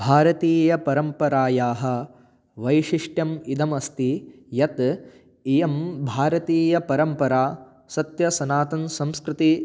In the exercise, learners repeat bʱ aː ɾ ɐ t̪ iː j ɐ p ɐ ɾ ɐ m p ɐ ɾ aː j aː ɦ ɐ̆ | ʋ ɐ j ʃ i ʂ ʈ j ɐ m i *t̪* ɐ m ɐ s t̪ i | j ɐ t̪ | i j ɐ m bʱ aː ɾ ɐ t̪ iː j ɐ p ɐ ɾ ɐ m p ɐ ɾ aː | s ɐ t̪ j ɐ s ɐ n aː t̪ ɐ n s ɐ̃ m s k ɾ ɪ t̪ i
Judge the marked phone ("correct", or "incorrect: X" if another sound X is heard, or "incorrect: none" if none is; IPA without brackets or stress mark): incorrect: d̪